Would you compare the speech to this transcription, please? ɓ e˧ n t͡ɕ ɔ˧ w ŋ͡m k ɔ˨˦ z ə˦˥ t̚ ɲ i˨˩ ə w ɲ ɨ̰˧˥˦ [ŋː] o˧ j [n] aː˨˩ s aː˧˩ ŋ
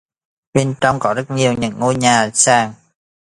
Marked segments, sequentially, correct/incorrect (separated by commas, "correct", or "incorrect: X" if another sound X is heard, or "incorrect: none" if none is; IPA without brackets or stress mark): correct, incorrect: ɲ